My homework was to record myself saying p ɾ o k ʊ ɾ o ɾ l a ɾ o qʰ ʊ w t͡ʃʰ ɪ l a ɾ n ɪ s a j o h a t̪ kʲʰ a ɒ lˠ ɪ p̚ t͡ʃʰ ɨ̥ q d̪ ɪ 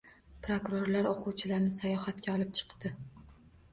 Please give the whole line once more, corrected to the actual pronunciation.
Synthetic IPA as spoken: p ɾ o k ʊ ɾ o ɾ l a ɾ o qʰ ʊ w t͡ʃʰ ɪ l a ɾ n ɪ s a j ɒ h a t̪ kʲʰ a ɒ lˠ ɪ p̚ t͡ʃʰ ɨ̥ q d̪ ɪ